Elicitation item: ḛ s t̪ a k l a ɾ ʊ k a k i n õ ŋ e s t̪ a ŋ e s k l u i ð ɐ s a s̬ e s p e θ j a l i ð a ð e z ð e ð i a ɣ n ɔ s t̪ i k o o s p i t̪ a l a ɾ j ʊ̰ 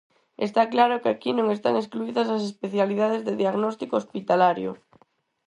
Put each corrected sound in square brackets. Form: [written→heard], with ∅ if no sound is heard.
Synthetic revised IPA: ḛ s t̪ a k l a ɾ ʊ k a k i n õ ŋ e s t̪ a ŋ e s k l u i ð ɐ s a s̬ e s p e θ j a l i ð a ð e z ð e ð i a ɣ n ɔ s t̪ i k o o s p i t̪ a l a ɾ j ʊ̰